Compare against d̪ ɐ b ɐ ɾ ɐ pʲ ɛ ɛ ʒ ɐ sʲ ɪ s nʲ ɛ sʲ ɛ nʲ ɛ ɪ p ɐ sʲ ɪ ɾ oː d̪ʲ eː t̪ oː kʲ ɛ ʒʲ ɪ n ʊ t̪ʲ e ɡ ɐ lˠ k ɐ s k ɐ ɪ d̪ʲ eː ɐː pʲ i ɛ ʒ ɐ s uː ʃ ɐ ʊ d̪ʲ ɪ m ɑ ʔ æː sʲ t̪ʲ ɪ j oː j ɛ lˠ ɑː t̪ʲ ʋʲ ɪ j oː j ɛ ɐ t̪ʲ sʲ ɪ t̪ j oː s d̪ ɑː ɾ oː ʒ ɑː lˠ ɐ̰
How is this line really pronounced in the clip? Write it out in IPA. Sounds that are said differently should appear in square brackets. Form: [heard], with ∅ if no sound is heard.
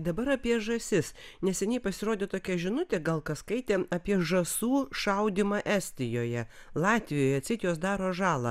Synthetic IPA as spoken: d̪ ɐ b ɐ ɾ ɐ pʲ [i] ɛ ʒ ɐ sʲ ɪ s nʲ ɛ sʲ ɛ nʲ ɛ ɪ p ɐ sʲ ɪ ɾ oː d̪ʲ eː t̪ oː kʲ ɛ ʒʲ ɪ n ʊ t̪ʲ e ɡ ɐ lˠ k ɐ s k ɐ ɪ [t̪ʲ] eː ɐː pʲ i ɛ ʒ ɐ s uː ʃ ɐ ʊ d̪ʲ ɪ m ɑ ʔ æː sʲ t̪ʲ ɪ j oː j ɛ lˠ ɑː t̪ʲ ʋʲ ɪ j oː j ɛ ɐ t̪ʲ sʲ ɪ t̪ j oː s d̪ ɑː ɾ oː ʒ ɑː lˠ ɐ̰